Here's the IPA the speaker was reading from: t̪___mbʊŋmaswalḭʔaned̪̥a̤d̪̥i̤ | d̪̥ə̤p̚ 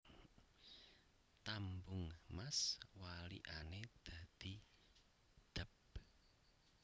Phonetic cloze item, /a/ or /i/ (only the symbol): a